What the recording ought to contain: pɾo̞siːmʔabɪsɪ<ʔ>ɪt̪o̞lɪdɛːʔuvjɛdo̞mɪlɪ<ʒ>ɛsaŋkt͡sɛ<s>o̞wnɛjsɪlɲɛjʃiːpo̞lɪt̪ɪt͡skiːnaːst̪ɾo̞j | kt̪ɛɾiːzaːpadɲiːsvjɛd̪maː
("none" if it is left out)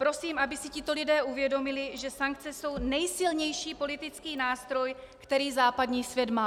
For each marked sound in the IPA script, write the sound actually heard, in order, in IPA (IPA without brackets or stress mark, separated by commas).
c, ʒ, s